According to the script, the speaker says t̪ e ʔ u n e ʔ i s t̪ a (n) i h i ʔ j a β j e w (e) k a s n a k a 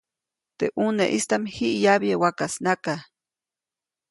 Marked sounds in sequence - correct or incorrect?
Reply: incorrect: m, incorrect: a

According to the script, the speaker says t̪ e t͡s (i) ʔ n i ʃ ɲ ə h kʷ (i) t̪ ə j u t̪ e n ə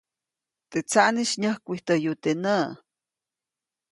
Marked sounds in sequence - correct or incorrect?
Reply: incorrect: a, correct

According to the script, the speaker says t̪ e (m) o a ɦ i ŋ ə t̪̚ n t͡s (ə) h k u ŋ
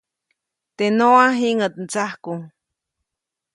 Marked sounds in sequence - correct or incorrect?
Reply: incorrect: n, incorrect: a

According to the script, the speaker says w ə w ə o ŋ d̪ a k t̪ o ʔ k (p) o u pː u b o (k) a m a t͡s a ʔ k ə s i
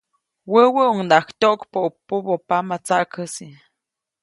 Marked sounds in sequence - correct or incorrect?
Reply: correct, incorrect: p

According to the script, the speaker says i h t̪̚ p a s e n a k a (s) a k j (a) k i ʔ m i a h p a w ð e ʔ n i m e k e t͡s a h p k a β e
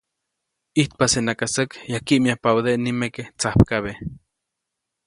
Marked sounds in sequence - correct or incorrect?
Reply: correct, correct

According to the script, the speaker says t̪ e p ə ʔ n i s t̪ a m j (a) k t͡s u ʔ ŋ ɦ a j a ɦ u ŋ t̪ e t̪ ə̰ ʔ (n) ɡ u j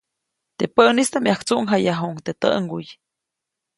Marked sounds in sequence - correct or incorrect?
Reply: correct, incorrect: ŋ

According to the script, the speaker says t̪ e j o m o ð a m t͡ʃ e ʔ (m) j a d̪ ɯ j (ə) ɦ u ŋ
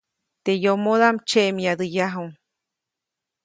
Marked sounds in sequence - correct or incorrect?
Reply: correct, incorrect: a

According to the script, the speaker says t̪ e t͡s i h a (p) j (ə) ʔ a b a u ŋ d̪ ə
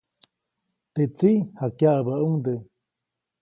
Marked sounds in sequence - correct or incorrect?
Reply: incorrect: k, incorrect: a

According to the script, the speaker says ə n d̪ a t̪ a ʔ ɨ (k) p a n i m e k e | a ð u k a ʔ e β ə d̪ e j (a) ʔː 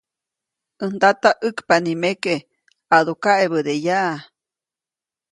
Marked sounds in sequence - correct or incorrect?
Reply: correct, correct

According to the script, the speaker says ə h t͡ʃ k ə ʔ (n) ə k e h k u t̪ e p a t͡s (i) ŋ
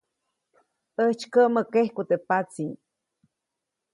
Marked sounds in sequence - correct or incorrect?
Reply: incorrect: m, correct

